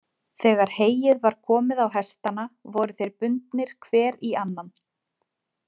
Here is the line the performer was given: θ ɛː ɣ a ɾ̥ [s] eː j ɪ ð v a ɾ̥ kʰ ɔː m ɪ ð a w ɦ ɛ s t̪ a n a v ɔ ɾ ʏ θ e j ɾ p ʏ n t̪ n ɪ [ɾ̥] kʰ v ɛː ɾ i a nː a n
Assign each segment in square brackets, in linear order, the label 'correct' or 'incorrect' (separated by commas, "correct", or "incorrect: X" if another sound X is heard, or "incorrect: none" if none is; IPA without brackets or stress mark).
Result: incorrect: h, correct